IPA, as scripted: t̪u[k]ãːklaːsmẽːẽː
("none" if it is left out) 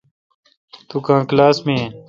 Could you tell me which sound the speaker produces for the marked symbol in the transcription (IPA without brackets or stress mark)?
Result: k